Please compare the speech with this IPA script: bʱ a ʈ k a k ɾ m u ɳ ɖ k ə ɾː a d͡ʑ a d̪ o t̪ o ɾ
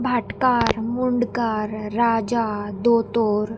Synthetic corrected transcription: bʱ a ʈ k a ɾ m u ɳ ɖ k a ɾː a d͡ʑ a d̪ o t̪ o ɾ